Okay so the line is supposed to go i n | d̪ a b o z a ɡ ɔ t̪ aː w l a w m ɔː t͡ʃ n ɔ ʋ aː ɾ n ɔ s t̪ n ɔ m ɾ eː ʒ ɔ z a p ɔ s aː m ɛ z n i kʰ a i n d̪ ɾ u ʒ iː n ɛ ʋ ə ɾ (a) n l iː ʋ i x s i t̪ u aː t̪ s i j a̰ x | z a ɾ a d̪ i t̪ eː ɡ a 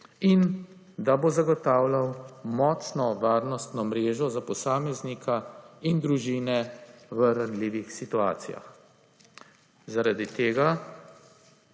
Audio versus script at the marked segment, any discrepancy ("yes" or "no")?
no